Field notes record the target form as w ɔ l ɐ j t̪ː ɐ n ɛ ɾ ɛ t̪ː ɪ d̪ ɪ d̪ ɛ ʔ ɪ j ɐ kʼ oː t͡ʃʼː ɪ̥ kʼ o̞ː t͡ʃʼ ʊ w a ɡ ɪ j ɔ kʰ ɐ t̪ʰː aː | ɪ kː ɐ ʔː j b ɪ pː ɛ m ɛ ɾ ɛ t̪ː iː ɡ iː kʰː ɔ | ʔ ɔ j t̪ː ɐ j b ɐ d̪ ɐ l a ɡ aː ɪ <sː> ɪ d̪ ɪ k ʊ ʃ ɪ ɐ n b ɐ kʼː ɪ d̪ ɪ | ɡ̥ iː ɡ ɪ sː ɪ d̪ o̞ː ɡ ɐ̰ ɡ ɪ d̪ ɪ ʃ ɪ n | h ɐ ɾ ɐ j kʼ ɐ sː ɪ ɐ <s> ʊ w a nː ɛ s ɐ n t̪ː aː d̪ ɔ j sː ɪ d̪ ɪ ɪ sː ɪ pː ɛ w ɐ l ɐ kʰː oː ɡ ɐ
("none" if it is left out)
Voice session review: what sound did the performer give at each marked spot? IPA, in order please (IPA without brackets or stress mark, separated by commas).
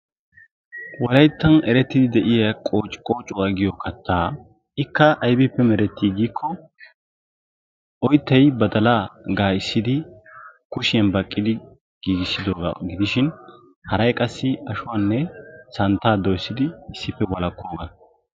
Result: sː, ʃ